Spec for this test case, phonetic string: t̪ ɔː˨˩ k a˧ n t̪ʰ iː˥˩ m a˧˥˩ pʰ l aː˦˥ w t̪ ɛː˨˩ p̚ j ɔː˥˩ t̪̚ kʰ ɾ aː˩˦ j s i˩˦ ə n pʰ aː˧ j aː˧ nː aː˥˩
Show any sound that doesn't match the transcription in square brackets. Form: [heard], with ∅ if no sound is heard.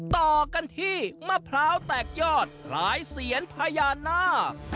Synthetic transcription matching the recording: t̪ ɔː˨˩ k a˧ n t̪ʰ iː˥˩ m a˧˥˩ pʰ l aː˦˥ w t̪ ɛː˨˩ [k̚] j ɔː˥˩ t̪̚ kʰ [l] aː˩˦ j s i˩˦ ə n pʰ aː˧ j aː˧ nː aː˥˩